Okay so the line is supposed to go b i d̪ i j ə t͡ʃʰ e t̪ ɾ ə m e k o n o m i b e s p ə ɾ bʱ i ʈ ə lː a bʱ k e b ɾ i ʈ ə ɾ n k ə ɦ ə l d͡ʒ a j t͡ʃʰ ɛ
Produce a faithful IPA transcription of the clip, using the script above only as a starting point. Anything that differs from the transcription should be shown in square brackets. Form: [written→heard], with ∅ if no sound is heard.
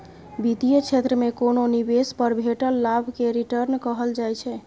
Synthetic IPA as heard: b i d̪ i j ə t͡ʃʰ e t̪ ɾ ə m e k o n o [m→n] i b e s p ə ɾ bʱ [i→e] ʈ ə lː a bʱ k e [b→∅] ɾ i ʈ ə ɾ n k ə ɦ ə l d͡ʒ a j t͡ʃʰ ɛ